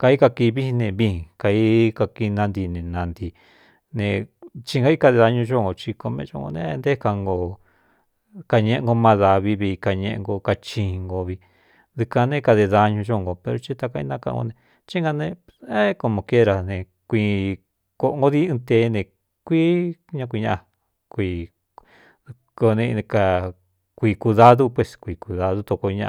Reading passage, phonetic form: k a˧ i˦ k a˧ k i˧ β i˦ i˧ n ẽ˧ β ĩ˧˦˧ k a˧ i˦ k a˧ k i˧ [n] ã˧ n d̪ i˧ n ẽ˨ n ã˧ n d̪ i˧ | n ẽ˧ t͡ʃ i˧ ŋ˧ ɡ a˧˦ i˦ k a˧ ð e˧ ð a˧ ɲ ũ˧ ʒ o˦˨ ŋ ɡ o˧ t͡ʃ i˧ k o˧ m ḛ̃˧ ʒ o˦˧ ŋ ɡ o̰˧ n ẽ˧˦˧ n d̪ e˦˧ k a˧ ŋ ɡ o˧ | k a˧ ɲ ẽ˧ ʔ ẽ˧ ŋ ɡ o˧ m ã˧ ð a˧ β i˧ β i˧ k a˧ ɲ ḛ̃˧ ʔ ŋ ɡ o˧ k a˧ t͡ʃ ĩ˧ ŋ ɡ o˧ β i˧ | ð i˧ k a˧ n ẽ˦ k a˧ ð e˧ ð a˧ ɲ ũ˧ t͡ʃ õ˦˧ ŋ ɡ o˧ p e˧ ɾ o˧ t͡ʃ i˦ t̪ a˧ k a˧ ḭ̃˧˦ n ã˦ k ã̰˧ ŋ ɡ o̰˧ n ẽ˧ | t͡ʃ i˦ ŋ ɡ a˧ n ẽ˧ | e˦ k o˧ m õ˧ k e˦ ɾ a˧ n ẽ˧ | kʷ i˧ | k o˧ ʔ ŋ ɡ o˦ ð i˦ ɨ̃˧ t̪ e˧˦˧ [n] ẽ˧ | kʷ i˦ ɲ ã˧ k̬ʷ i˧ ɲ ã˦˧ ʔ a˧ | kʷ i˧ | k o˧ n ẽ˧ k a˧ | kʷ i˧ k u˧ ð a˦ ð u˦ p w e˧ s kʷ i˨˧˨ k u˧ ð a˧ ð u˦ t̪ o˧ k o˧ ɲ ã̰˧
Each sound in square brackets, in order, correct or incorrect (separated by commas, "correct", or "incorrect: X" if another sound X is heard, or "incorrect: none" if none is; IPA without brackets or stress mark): correct, correct